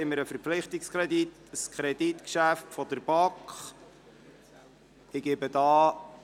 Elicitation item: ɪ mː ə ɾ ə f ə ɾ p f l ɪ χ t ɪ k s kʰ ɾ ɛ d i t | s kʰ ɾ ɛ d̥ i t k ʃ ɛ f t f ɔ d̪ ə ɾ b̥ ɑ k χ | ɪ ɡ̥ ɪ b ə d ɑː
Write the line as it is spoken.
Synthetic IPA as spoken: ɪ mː ə ɾ ə f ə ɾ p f l ɪ χ t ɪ k s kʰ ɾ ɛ d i t | s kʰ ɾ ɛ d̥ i t k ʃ æ f t f ɔ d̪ ə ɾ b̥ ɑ k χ | ɪ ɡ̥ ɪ b ə d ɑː